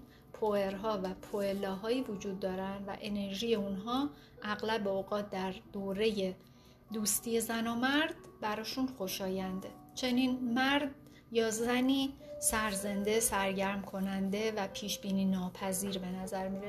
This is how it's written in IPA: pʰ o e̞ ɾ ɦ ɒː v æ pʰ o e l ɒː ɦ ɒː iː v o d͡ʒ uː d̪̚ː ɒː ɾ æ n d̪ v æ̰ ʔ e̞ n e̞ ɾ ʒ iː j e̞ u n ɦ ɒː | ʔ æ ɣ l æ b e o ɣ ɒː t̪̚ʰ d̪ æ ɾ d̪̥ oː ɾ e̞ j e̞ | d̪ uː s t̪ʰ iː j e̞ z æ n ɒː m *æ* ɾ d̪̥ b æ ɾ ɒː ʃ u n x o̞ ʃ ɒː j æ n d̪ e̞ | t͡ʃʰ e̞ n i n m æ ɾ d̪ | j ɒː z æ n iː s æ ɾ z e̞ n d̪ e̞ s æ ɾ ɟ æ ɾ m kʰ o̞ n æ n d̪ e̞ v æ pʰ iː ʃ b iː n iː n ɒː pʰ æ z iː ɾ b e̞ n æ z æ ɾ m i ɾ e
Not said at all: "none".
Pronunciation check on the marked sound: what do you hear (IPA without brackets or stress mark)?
æ